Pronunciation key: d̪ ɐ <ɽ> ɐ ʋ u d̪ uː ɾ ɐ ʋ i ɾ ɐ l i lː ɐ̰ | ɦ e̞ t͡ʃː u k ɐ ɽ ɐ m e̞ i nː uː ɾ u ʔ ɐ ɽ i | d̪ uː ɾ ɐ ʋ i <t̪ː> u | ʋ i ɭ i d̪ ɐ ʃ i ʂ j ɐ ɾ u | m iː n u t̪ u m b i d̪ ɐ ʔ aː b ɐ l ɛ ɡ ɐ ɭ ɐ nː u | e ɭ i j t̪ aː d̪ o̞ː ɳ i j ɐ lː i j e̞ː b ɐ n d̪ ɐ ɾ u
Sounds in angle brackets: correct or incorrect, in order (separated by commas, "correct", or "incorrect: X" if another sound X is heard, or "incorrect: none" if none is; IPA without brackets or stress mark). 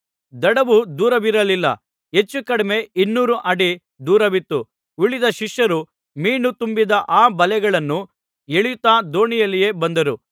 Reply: correct, correct